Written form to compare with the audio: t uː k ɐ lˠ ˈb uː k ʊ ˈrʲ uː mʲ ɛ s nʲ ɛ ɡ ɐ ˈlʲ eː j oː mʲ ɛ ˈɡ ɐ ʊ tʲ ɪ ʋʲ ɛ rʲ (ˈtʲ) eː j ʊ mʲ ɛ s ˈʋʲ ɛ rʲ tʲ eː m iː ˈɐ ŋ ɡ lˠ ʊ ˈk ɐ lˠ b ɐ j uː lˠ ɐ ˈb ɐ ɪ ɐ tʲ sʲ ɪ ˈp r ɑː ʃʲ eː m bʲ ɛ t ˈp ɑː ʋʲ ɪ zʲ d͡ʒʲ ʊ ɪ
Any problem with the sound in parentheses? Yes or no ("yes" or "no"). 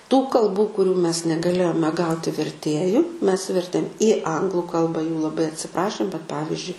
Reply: no